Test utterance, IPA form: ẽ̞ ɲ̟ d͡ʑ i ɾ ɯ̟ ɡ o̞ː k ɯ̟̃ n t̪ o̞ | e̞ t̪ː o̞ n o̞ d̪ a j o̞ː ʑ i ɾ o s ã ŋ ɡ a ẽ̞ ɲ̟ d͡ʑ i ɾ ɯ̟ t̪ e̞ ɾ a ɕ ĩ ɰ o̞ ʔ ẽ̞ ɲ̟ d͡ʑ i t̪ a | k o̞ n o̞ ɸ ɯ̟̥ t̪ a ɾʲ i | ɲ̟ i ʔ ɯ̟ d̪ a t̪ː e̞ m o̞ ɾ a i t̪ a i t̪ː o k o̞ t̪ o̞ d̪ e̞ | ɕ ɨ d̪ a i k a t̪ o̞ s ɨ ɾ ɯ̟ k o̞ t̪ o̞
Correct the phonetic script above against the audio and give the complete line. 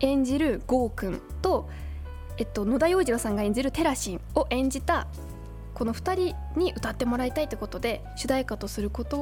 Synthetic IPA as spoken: ẽ̞ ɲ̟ d͡ʑ i ɾ ɯ̟ ɡ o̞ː k ɯ̟̃ n t̪ o̞ | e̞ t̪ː o̞ n o̞ d̪ a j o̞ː ʑ i ɾ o s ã ŋ ɡ a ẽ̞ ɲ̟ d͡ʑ i ɾ ɯ̟ t̪ e̞ ɾ a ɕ ĩ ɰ o̞ ʔ ẽ̞ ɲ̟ d͡ʑ i t̪ a | k o̞ n o̞ ɸ ɯ̟̥ t̪ a ɾʲ i | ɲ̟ i ʔ ɯ̟ t̪ a t̪ː e̞ m o̞ ɾ a i t̪ a i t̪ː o k o̞ t̪ o̞ d̪ e̞ | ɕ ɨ d̪ a i k a t̪ o̞ s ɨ ɾ ɯ̟ k o̞ t̪ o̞